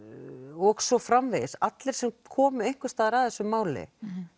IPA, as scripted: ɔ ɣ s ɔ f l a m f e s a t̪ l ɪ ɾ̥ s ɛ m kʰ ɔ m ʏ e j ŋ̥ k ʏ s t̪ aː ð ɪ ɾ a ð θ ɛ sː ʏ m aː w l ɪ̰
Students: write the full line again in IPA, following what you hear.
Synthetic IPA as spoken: ɔ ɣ s ɔ f ɾ a m v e s a t̪ l ɪ ɾ̥ s ɛ m kʰ ɔː m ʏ e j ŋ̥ k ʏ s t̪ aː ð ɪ ɾ a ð θ ɛ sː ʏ m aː w l ɪ̰